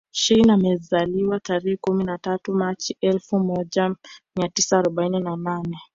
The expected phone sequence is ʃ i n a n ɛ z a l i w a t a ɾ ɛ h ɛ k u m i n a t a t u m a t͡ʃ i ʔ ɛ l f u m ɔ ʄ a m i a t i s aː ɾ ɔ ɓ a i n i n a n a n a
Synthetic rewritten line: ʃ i n a m ɛ z a l i w a t a ɾ ɛ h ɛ k u m i n a t a t u m a t͡ʃ i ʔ ɛ l f u m ɔ ʄ a m i a t i s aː ɾ ɔ ɓ a i n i n a n a n ɛ